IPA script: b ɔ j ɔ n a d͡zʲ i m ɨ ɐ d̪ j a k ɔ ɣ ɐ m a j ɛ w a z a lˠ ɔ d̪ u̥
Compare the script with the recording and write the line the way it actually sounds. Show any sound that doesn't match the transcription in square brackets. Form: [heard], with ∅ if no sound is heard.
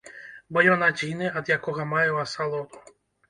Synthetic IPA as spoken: b ɔ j ɔ n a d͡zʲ i [n] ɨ ɐ d̪ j a k ɔ ɣ ɐ m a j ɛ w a [s] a lˠ ɔ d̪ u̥